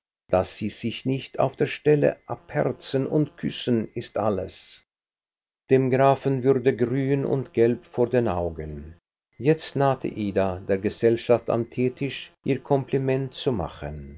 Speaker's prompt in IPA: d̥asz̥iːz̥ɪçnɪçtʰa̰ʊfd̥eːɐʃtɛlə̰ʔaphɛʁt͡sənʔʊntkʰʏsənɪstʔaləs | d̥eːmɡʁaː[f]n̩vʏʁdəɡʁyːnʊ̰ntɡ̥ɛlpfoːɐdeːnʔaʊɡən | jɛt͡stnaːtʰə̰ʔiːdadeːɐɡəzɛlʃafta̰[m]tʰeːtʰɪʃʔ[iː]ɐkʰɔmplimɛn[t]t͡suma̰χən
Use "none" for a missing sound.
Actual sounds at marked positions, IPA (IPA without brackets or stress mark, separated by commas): f, m, iː, t